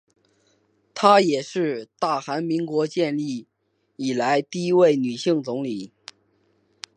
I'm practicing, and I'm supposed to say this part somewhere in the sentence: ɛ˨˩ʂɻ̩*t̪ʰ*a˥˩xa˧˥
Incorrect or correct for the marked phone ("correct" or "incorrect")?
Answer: incorrect